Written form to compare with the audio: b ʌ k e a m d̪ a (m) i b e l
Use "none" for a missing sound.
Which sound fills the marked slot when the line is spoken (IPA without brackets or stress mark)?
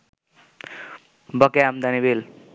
n